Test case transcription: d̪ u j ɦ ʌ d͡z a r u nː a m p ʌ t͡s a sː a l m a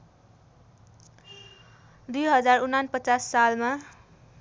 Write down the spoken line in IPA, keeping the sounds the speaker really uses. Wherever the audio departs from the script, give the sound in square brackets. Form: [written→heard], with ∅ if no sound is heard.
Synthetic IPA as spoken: d̪ u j ɦ ʌ d͡z a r u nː a [m→n] p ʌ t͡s a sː a l m a